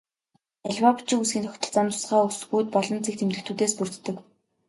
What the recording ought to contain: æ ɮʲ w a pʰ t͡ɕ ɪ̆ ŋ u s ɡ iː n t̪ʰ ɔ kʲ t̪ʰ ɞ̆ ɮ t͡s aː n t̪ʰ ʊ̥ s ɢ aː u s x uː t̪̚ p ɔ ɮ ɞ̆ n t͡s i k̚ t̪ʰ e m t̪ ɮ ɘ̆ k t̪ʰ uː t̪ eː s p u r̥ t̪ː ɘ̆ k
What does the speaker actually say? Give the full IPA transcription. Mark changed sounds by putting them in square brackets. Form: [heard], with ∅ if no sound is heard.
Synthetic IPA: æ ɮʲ w a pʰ t͡ɕ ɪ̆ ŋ u s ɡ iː n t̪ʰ ɔ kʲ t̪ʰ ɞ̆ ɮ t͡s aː n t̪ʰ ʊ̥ s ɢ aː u s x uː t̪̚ p ɔ ɮ ɞ̆ n t͡s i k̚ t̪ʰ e m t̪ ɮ ɘ̆ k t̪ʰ uː t̪ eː s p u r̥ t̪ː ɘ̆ k